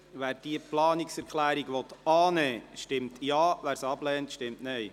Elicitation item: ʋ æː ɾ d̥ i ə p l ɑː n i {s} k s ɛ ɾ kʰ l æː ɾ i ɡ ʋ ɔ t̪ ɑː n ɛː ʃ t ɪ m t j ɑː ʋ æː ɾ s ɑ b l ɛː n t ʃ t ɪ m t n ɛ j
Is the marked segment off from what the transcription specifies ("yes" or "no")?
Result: yes